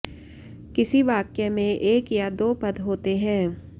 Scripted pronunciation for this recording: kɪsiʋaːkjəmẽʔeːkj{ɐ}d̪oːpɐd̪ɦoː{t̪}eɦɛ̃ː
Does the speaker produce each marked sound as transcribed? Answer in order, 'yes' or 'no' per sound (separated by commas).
no, yes